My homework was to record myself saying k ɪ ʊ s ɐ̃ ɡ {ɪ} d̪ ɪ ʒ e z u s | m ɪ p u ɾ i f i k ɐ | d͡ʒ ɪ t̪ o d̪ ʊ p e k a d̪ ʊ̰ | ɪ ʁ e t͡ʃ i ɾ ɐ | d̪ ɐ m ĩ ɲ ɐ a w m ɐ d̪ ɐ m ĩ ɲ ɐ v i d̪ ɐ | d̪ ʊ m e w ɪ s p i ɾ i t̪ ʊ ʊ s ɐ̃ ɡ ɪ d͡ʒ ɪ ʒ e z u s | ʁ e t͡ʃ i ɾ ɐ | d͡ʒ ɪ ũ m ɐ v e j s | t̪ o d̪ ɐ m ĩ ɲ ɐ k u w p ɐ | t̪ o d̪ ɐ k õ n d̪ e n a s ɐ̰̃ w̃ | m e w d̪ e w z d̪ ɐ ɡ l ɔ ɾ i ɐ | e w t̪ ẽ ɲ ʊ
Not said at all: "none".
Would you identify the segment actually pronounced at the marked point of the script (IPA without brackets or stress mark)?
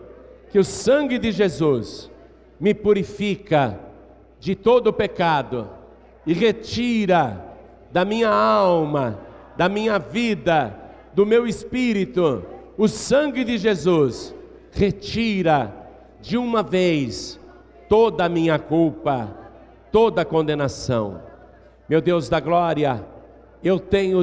ɪ